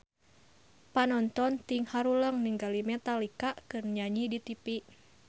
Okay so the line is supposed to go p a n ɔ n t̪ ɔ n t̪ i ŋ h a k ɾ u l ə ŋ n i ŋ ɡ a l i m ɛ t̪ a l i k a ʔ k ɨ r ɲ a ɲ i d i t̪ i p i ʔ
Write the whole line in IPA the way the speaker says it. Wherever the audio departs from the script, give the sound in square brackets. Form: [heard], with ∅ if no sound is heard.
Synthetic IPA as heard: p a n ɔ n t̪ ɔ n t̪ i ŋ h a [∅] ɾ u l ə ŋ n i ŋ ɡ a l i m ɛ t̪ a l i k a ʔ k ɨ r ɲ a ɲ i d i t̪ i p i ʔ